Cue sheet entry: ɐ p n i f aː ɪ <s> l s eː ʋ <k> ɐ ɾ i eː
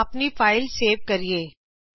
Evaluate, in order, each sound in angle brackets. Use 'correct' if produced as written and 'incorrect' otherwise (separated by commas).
incorrect, correct